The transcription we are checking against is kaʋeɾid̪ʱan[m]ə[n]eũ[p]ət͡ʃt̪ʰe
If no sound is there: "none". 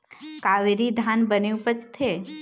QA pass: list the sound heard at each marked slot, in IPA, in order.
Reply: b, n, p

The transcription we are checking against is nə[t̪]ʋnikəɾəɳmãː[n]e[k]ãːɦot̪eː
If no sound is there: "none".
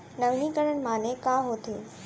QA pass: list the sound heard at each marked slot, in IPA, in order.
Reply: none, n, k

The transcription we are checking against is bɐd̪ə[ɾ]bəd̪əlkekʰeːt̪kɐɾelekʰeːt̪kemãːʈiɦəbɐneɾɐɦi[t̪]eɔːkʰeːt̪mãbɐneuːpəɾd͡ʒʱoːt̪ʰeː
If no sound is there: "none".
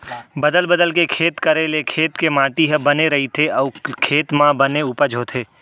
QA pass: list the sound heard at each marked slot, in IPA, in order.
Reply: l, t̪ʰ

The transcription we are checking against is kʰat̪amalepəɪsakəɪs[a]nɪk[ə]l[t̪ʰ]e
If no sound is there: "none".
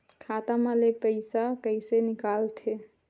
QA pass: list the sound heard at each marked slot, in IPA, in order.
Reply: e, a, t̪ʰ

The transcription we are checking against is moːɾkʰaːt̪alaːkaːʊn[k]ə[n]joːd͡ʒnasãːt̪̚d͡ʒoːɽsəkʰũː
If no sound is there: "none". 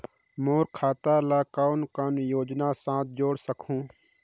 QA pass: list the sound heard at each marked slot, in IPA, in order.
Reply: k, n

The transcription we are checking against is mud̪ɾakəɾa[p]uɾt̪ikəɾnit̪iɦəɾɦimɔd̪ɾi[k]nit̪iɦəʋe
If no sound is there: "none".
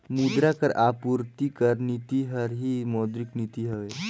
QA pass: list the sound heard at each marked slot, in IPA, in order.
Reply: p, k

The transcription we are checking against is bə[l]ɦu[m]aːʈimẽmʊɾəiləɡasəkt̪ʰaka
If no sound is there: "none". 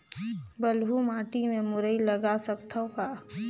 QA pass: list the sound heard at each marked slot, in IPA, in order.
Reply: l, m

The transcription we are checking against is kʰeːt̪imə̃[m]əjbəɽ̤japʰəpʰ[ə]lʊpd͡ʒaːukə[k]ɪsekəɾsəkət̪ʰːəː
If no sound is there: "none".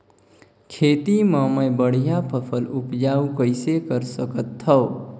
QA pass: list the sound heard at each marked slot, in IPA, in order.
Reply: m, ə, none

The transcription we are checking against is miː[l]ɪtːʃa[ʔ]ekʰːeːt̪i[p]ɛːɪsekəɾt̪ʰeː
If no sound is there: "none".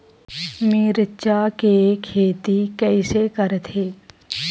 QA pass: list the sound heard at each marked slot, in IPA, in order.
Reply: ɾ, k, k

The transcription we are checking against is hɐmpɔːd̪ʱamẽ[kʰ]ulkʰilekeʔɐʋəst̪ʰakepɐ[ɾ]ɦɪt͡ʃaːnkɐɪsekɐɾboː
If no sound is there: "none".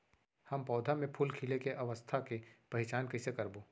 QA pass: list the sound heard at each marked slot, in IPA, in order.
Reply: pʰ, none

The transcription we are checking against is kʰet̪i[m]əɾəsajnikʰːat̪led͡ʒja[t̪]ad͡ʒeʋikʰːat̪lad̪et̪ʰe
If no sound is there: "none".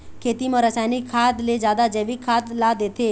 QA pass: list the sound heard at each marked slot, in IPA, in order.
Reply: m, d̪

